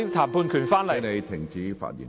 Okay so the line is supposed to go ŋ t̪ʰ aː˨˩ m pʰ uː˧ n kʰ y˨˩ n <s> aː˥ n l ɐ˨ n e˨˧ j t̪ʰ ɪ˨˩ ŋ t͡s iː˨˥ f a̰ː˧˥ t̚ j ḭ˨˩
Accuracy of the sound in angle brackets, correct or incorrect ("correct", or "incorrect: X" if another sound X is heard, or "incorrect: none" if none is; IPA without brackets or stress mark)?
incorrect: f